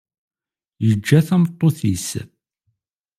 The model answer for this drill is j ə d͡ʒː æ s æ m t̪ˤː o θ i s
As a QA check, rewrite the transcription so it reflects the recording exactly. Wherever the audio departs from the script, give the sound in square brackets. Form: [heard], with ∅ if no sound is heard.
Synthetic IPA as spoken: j ə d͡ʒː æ [θ] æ m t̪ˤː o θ i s